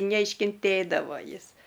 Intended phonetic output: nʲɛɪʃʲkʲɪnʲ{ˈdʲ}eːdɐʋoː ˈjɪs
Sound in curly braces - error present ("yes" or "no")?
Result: yes